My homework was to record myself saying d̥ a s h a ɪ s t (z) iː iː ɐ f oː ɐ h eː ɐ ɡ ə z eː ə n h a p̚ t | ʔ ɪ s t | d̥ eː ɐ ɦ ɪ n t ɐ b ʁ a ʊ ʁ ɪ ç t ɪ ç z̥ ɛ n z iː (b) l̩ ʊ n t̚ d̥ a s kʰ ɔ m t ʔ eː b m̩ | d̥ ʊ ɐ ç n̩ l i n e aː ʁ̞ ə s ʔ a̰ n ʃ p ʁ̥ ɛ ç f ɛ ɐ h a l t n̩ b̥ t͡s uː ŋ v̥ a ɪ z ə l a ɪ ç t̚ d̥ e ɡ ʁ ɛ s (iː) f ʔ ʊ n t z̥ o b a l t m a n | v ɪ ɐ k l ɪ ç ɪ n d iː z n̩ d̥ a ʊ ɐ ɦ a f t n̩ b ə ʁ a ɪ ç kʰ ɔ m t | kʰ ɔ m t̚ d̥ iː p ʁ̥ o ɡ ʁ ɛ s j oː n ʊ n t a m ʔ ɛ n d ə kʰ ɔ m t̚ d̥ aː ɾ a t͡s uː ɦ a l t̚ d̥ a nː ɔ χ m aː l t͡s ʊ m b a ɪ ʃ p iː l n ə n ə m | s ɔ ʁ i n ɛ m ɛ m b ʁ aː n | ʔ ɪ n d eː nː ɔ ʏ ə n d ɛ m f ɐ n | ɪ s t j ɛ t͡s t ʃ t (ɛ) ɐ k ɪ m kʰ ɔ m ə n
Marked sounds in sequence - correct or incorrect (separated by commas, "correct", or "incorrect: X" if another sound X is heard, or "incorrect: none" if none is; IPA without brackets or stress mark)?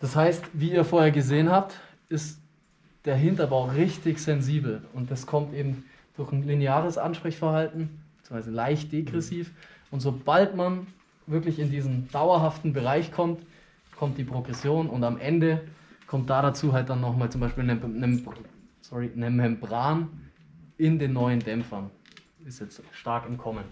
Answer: incorrect: v, correct, correct, incorrect: a